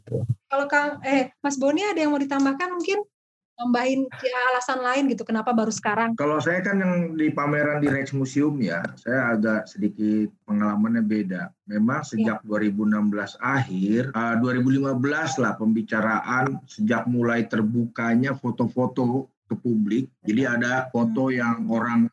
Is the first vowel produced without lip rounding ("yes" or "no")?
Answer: yes